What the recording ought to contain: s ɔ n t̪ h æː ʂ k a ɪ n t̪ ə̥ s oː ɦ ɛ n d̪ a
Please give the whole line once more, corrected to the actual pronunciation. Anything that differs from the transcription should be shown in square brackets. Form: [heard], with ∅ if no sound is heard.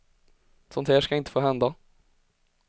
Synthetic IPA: s ɔ n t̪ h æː ʂ k a ɪ n t̪ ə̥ [f] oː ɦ ɛ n d̪ a

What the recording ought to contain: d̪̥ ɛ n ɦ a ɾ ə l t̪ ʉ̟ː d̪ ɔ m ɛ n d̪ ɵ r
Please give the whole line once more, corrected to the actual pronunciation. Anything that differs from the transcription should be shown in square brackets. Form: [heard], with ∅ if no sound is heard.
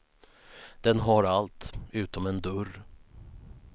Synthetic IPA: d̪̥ ɛ n ɦ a ɾ [a] l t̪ ʉ̟ː [t̪] ɔ m ɛ n d̪ ɵ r

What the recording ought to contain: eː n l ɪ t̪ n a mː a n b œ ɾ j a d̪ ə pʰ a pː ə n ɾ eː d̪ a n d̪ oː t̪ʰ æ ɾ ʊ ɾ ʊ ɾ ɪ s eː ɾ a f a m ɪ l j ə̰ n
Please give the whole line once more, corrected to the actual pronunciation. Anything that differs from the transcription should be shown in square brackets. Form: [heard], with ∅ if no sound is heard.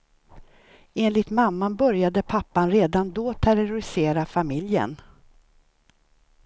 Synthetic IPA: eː n l ɪ t̪ [m] a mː a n b œ ɾ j a d̪ ə pʰ a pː [a] n ɾ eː d̪ a n d̪ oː t̪ʰ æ ɾ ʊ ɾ ʊ ɾ ɪ s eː ɾ a f a m ɪ l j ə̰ n

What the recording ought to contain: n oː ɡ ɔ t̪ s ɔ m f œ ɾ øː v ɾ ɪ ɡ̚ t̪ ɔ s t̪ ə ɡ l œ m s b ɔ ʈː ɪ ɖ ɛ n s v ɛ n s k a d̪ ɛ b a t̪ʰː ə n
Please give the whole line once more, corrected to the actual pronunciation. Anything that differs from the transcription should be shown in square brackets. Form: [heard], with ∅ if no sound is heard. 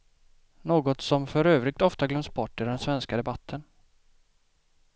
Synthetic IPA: n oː ɡ ɔ t̪ s ɔ m f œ ɾ øː v ɾ ɪ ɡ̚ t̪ ɔ [f] t̪ [a] ɡ l œ m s b ɔ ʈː ɪ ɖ ɛ n s v ɛ n s k a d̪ ɛ b a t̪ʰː ə n

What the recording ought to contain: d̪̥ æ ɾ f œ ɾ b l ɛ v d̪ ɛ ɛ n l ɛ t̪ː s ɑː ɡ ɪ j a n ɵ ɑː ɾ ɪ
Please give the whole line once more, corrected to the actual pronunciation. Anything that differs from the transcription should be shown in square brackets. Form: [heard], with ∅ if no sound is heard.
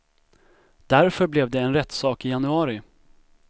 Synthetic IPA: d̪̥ æ ɾ f œ ɾ b l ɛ v d̪ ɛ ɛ n [ɾ] ɛ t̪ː s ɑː [k] ɪ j a n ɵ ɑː ɾ ɪ

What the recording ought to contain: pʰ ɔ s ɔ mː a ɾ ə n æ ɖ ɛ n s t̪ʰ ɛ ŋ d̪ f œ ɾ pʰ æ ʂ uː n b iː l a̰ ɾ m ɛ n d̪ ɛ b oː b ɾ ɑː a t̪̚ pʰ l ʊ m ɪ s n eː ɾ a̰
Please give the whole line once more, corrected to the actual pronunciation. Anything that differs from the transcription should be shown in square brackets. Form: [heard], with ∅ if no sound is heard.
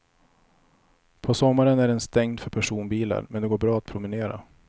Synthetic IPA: pʰ ɔ s ɔ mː a ɾ ə n æ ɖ ɛ n s [t̪] ɛ ŋ d̪ f œ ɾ pʰ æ ʂ uː n b iː l a̰ ɾ m ɛ n d̪ ɛ [ɡ] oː b ɾ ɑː a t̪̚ pʰ [ɾ] ʊ m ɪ [∅] n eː ɾ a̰

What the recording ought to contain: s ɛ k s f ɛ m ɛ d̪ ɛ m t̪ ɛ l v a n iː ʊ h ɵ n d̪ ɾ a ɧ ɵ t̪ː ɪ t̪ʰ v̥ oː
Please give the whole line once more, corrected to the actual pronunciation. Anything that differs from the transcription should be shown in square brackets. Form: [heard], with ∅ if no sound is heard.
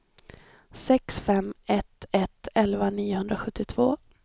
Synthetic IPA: s ɛ k s f ɛ m ɛ [t̪] ɛ [∅] t̪ ɛ l v a n iː ʊ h ɵ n d̪ ɾ a ɧ ɵ t̪ː ɪ t̪ʰ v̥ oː

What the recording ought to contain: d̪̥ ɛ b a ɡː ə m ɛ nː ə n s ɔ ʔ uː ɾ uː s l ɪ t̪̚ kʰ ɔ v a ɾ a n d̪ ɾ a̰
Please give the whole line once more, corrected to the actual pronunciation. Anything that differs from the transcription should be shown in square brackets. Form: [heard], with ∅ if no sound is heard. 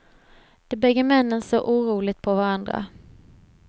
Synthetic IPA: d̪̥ ɛ b [ɛ] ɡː ə m ɛ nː ə n s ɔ ʔ uː ɾ uː [∅] l ɪ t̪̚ [pʰ] ɔ v a ɾ a n d̪ ɾ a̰

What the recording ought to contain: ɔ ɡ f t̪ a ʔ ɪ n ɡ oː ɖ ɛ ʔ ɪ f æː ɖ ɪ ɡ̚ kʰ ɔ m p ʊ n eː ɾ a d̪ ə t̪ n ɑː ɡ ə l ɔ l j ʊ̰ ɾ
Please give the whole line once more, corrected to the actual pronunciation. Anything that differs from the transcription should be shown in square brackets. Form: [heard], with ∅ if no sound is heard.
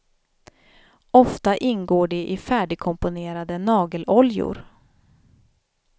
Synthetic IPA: ɔ [∅] f t̪ a ʔ ɪ n ɡ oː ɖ ɛ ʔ ɪ f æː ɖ ɪ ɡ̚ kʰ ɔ m p ʊ n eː ɾ a d̪ ə [∅] n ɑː ɡ ə l ɔ l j ʊ̰ ɾ

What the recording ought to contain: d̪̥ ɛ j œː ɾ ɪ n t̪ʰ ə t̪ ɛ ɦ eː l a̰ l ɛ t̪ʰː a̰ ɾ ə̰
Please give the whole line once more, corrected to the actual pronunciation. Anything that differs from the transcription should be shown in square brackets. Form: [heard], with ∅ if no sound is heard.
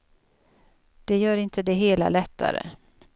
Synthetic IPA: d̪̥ ɛ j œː ɾ ɪ n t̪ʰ ə [d̪] ɛ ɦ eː l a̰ l ɛ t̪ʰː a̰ ɾ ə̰

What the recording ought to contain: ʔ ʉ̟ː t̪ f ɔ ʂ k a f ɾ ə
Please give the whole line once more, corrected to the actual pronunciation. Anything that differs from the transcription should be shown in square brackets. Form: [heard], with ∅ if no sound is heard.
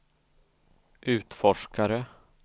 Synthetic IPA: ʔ ʉ̟ː t̪ f ɔ ʂ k a [∅] ɾ ə

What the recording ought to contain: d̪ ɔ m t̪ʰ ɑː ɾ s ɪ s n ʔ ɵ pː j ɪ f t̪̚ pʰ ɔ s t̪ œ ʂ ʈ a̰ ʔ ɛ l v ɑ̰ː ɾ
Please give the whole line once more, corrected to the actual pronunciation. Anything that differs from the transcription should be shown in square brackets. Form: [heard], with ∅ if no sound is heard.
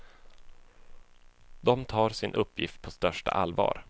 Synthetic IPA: d̪ ɔ m t̪ʰ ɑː ɾ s ɪ [∅] n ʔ ɵ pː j ɪ f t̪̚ pʰ ɔ s t̪ œ ʂ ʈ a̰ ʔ [a] l v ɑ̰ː ɾ

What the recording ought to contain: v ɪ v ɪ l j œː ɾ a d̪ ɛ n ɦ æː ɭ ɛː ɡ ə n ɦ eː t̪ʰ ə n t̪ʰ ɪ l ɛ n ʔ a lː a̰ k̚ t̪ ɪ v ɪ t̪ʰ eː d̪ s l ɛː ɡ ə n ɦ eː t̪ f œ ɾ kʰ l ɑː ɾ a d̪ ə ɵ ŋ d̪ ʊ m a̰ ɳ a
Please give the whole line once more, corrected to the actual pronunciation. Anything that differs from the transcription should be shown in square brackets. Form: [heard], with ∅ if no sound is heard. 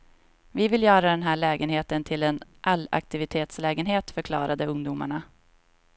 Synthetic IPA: v ɪ v ɪ l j œː ɾ a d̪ ɛ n ɦ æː ɭ ɛː ɡ ə n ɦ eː [t̪] ə n t̪ʰ ɪ l ɛ n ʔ a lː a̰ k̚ t̪ ɪ v ɪ t̪ʰ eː [t̪] s l ɛː ɡ ə n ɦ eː t̪ f œ ɾ kʰ l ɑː ɾ a d̪ ə ɵ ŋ d̪ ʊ m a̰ ɳ a

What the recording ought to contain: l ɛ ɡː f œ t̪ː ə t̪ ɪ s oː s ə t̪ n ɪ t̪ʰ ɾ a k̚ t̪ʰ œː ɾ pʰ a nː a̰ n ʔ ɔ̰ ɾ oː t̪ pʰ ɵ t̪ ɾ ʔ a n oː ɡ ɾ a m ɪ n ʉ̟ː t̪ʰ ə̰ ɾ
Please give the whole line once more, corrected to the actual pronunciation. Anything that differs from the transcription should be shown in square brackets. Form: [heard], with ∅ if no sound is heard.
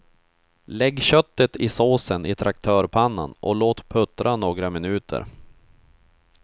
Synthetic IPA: l ɛ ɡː [ɕ] œ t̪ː ə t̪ ɪ s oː s ə [∅] n ɪ t̪ʰ ɾ a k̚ t̪ʰ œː ɾ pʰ a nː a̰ n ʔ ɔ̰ [l] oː t̪ pʰ ɵ t̪ ɾ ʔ a n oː ɡ ɾ a m ɪ n ʉ̟ː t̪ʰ ə̰ ɾ

